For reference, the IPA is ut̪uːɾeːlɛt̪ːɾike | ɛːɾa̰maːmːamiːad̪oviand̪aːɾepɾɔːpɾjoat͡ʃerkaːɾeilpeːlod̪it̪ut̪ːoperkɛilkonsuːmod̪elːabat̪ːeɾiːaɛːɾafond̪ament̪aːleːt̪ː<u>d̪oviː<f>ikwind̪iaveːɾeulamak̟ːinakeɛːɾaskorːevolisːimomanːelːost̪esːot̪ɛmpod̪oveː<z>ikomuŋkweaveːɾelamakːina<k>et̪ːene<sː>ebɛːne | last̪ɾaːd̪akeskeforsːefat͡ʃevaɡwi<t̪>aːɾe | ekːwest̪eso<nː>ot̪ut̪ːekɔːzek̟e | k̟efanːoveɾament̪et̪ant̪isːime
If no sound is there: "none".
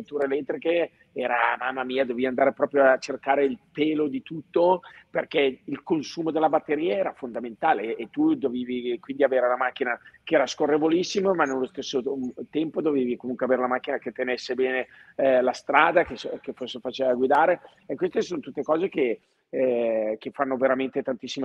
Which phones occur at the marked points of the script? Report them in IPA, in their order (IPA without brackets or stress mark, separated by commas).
u, v, v, k, sː, d̪, n